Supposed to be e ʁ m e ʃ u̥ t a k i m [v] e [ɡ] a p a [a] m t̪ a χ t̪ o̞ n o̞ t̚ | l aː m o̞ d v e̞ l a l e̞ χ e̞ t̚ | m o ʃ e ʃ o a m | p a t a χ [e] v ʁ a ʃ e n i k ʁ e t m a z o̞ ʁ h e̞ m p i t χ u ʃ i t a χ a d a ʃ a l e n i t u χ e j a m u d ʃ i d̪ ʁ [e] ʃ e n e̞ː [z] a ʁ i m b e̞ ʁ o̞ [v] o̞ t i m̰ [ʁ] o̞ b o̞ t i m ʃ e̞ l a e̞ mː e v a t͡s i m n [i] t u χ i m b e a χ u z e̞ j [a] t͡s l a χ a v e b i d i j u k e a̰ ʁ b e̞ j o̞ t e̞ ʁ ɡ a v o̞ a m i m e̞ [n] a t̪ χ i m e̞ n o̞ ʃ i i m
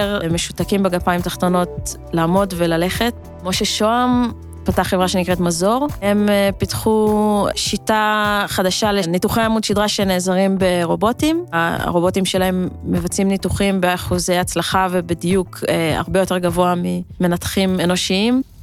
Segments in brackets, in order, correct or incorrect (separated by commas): incorrect, correct, incorrect, correct, incorrect, correct, incorrect, correct, correct, correct, correct